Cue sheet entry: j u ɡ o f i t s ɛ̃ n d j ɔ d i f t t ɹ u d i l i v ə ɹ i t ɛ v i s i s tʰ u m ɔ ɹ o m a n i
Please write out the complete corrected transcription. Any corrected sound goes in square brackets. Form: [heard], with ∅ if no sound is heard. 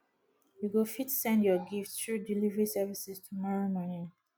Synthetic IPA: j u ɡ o f i t s ɛ̃ n d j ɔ [ɡ] i f t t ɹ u d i l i v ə ɹ i [s] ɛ v i s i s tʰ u m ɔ ɹ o m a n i